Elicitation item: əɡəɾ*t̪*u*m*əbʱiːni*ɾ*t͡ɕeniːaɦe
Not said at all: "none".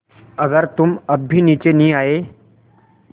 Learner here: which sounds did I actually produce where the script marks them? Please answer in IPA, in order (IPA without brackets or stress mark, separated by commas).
t̪, m, none